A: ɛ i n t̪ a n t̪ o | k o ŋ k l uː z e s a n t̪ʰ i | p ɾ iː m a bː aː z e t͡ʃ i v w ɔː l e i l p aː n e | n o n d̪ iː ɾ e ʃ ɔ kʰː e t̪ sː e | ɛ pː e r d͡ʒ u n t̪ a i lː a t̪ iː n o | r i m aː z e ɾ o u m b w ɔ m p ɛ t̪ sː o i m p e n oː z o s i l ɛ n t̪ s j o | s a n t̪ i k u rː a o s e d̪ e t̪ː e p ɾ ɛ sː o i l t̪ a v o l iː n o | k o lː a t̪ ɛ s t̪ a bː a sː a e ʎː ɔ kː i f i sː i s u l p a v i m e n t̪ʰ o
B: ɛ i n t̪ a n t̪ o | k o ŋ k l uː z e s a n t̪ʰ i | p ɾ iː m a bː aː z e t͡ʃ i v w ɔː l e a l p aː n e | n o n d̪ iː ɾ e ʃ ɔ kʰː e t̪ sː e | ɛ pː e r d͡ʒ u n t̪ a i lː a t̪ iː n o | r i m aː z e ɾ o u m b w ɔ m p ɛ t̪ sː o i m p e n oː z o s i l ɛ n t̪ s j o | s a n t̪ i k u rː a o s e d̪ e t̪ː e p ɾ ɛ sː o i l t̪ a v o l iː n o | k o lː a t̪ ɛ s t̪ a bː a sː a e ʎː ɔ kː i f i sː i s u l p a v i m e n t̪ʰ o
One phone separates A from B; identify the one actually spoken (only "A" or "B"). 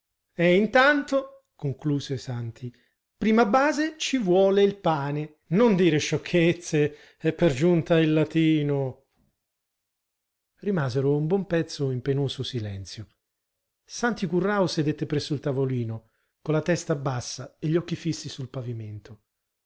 A